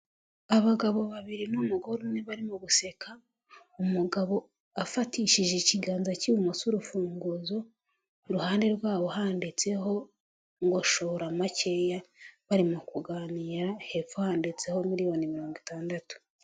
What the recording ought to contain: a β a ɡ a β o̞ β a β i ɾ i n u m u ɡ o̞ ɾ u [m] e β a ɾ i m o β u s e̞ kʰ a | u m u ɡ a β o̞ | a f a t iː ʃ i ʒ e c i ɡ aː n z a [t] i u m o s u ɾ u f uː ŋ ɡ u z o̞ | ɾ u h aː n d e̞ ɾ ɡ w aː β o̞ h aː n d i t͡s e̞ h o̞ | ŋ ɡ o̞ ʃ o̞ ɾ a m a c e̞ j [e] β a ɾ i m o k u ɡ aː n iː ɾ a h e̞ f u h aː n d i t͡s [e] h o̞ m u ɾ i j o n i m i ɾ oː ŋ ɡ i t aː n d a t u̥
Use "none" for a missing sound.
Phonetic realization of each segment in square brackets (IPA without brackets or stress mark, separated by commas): n, c, a, e